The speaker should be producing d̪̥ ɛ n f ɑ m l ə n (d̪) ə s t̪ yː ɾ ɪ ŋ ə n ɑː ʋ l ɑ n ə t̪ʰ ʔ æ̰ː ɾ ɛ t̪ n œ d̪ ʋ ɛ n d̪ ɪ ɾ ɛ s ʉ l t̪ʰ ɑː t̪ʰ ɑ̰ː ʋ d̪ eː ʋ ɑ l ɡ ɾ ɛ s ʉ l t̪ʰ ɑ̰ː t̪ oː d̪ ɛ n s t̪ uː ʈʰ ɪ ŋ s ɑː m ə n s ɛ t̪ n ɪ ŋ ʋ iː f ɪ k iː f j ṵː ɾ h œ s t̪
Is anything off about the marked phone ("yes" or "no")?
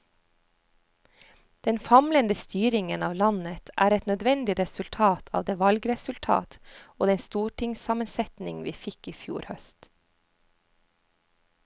no